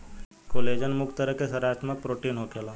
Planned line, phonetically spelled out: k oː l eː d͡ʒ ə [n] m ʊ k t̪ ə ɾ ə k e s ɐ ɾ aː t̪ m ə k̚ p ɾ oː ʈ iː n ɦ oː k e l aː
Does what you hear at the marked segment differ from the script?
no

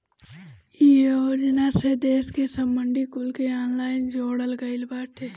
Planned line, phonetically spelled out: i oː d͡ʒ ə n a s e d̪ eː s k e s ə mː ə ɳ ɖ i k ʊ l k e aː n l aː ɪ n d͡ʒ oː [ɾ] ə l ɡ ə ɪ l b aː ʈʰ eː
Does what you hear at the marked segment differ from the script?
yes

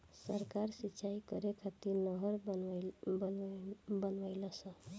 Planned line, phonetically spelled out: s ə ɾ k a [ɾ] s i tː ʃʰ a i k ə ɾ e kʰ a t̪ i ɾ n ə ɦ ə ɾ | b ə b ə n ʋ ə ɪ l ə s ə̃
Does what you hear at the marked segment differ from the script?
no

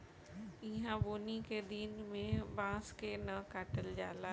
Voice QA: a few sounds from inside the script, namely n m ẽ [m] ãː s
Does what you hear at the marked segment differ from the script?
yes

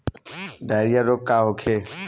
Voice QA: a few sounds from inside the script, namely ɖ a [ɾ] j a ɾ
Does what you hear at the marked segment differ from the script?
no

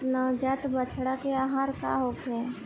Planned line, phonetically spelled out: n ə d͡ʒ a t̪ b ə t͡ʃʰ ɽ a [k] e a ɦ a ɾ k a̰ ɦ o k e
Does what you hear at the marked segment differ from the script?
no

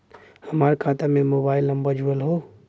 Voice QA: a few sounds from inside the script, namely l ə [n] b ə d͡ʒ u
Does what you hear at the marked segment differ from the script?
yes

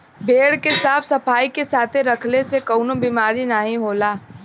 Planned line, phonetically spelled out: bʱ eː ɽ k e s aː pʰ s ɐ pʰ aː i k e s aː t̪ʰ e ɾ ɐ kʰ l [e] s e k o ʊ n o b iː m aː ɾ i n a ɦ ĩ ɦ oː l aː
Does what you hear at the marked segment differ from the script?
no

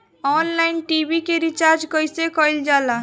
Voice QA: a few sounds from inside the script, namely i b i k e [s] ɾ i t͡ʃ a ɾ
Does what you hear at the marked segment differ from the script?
yes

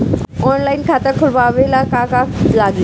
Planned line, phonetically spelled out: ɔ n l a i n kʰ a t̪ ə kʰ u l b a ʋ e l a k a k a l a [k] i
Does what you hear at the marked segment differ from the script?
yes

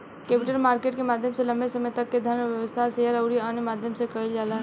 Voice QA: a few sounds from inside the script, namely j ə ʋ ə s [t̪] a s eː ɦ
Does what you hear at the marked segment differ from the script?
yes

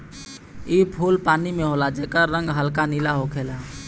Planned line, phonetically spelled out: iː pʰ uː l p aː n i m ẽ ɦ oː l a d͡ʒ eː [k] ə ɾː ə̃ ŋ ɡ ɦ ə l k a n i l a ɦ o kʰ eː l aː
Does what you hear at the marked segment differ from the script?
no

